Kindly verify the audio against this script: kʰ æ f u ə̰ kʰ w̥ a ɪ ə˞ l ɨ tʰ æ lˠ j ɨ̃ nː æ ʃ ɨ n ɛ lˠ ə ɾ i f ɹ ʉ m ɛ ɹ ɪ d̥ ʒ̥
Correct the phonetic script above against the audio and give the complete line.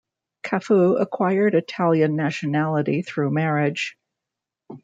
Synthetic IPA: kʰ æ f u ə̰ kʰ w̥ a ɪ ə˞ ɾ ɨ tʰ æ lˠ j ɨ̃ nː æ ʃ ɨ n æ lˠ ə ɾ i θ ɹ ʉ m ɛ ɹ ɪ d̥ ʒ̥